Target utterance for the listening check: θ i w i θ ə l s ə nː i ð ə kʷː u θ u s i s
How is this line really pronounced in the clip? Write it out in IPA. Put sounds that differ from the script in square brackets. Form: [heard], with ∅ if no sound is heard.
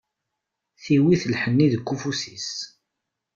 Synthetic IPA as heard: θ i w i θ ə l [ħ] ə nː i ð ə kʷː u [f] u s i s